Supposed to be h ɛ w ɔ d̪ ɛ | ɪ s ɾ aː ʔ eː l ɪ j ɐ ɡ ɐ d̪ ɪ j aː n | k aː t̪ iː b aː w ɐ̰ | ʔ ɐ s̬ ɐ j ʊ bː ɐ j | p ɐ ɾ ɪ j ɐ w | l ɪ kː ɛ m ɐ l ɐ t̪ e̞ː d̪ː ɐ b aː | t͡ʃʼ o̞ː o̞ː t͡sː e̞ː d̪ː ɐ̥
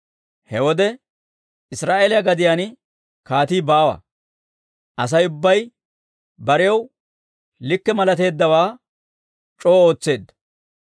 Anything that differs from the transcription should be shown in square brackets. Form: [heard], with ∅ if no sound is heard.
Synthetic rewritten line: h ɛ w ɔ d̪ ɛ | ɪ s ɾ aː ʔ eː l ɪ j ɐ ɡ ɐ d̪ ɪ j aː n | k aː t̪ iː b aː w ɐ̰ | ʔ ɐ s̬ ɐ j ʊ bː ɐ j | [b] ɐ ɾ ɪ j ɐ w | l ɪ kː ɛ m ɐ l ɐ t̪ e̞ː d̪ː ɐ [w] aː | t͡ʃʼ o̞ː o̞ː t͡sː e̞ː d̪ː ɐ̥

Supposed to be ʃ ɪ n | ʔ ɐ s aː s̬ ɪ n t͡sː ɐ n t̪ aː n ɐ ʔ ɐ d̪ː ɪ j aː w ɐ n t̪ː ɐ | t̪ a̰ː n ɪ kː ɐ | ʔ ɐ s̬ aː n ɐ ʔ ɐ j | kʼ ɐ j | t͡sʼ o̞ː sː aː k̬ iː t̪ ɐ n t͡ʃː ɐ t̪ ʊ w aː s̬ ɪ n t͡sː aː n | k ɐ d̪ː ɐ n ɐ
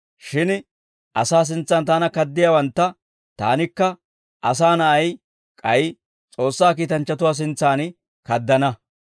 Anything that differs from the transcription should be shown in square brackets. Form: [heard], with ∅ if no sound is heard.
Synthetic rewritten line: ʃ ɪ n | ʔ ɐ s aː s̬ ɪ n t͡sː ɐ n t̪ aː n ɐ [k] ɐ d̪ː ɪ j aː w ɐ n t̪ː ɐ | t̪ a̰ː n ɪ kː ɐ | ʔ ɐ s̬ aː n ɐ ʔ ɐ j | kʼ ɐ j | t͡sʼ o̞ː sː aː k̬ iː t̪ ɐ n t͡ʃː ɐ t̪ ʊ w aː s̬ ɪ n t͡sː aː n | k ɐ d̪ː ɐ n ɐ

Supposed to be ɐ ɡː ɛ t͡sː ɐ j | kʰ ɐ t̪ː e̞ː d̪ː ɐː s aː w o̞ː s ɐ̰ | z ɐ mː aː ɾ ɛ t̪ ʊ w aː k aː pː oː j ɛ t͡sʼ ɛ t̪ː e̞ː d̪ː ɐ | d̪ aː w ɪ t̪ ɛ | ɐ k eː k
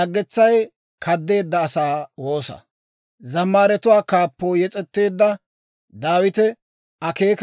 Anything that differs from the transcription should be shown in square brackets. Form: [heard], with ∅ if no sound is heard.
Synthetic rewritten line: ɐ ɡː ɛ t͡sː ɐ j | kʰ ɐ [d̪ː] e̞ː d̪ː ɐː s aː w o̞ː s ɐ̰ | z ɐ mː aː ɾ ɛ t̪ ʊ w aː k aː pː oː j ɛ t͡sʼ ɛ t̪ː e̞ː d̪ː ɐ | d̪ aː w ɪ t̪ ɛ | ɐ k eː k

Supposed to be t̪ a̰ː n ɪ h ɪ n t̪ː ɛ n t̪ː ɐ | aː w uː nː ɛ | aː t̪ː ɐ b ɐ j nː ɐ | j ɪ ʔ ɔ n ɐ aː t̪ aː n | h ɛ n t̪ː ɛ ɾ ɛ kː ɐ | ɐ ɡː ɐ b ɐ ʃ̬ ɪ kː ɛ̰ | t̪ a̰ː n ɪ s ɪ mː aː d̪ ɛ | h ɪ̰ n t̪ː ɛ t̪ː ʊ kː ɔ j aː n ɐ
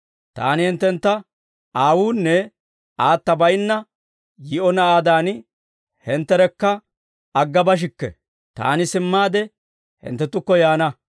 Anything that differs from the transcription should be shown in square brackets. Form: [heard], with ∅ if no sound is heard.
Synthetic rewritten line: t̪ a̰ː n ɪ h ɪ n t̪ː ɛ n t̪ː ɐ | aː w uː nː ɛ | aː t̪ː ɐ b ɐ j nː ɐ | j ɪ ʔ ɔ n ɐ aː [d̪] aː n | h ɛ n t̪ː ɛ ɾ ɛ kː ɐ | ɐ ɡː ɐ b ɐ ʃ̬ ɪ kː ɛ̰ | t̪ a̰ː n ɪ s ɪ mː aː d̪ ɛ | h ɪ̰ n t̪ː ɛ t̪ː ʊ kː ɔ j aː n ɐ

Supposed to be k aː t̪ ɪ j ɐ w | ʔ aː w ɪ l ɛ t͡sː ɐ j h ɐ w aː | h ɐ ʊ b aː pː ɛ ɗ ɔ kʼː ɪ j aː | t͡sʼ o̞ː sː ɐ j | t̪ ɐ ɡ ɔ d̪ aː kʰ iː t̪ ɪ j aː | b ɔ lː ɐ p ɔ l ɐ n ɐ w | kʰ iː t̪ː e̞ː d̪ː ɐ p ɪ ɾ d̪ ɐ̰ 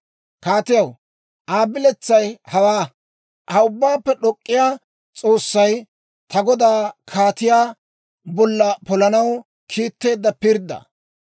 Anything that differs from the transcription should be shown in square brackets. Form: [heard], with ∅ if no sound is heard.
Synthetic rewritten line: k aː t̪ ɪ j ɐ w | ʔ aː [b] ɪ l ɛ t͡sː ɐ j h ɐ w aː | h ɐ ʊ [bː] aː pː ɛ ɗ ɔ kʼː ɪ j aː | t͡sʼ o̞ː sː ɐ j | t̪ ɐ ɡ ɔ d̪ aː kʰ [aː] t̪ ɪ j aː | b ɔ lː ɐ p ɔ l ɐ n ɐ w | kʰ iː t̪ː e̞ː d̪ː ɐ p ɪ ɾ d̪ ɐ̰

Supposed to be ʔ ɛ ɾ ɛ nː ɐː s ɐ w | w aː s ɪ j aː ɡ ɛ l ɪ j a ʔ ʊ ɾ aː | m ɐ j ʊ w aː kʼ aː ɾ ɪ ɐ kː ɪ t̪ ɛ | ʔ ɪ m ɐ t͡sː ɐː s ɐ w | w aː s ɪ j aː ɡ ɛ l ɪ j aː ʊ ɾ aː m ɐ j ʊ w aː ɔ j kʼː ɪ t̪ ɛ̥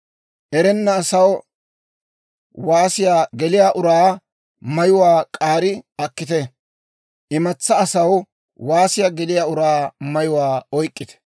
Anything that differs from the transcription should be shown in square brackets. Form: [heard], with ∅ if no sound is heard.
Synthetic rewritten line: ʔ ɛ ɾ ɛ nː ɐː s ɐ w | w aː s ɪ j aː ɡ ɛ l ɪ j a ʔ ʊ ɾ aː | m ɐ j ʊ w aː kʼ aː ɾ ɪ ɐ kː ɪ t̪ ɛ | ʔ ɪ m ɐ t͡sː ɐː s ɐ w | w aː s ɪ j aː ɡ ɛ l ɪ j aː ʊ ɾ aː m ɐ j ʊ w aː ɔ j kʼː ɪ t̪ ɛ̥

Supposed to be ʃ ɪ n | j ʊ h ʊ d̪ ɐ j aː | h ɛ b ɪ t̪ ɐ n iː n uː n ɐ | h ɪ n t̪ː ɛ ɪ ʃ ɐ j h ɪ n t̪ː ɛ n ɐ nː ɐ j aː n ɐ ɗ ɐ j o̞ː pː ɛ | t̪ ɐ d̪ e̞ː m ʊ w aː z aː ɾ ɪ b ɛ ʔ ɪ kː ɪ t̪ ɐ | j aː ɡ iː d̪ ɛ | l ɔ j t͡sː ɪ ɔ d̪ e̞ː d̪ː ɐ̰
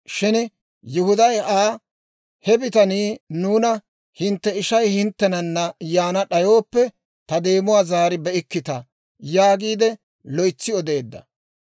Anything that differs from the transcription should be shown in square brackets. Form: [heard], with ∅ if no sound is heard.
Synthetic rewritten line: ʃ ɪ n | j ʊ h ʊ d̪ ɐ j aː | h ɛ b ɪ t̪ ɐ n iː n uː n ɐ | h ɪ n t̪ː ɛ ɪ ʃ ɐ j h ɪ n t̪ː ɛ n ɐ nː ɐ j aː n ɐ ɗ ɐ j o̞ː pː ɛ | t̪ ɐ d̪ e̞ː m ʊ w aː z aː ɾ ɪ b ɛ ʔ ɪ kː ɪ t̪ ɐ | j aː ɡ iː d̪ ɛ | l ɔ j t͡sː ɪ ɔ d̪ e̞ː d̪ː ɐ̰

